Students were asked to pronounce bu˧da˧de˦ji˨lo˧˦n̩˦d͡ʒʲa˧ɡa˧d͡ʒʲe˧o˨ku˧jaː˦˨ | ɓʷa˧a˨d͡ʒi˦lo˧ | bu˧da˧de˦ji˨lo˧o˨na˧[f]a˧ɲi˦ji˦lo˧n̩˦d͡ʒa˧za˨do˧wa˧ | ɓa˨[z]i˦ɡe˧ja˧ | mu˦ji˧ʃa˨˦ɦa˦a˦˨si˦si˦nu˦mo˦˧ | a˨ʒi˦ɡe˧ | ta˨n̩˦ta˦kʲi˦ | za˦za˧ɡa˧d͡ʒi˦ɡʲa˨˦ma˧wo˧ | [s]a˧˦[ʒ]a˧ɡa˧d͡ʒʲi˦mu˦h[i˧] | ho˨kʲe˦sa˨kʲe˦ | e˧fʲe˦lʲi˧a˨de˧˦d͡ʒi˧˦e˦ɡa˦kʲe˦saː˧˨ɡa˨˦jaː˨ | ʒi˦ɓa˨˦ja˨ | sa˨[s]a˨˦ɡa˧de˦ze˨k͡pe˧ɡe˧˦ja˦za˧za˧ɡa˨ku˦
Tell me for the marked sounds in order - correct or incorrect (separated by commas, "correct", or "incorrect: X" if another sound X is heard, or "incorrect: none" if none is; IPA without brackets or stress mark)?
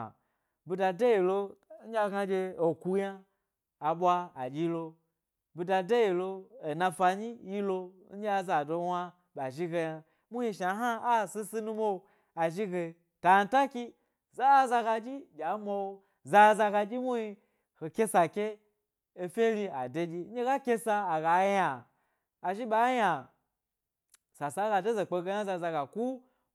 correct, incorrect: ʒ, incorrect: z, incorrect: z, correct, correct